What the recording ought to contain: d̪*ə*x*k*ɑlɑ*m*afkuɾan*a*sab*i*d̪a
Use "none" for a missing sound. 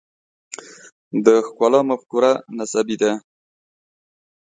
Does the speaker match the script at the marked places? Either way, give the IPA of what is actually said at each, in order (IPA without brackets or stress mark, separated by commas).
ə, k, m, a, i